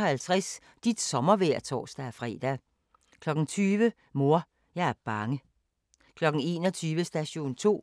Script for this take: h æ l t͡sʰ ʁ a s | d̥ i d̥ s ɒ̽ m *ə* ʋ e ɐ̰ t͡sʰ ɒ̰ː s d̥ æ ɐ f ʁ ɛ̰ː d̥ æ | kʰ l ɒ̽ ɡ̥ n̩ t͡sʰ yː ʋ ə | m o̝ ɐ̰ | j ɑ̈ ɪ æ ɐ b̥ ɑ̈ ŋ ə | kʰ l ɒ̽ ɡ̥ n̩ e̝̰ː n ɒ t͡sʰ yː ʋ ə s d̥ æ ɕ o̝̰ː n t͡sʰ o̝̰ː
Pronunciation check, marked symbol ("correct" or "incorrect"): incorrect